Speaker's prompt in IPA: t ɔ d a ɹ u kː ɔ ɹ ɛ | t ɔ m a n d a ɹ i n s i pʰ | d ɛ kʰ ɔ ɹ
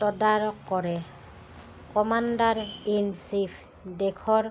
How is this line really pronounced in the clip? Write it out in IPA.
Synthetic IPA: t ɔ d a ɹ ɔ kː ɔ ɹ ɛ | k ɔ m a n d a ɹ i n s i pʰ | d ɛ kʰ ɔ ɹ